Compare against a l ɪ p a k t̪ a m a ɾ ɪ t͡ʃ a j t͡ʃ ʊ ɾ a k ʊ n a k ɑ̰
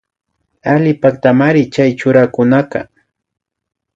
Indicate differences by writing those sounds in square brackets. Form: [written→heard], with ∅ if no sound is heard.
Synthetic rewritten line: a l ɪ p a k t̪ a m a ɾ ɪ t͡ʃ a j t͡ʃ ʊ ɾ a k ʊ n a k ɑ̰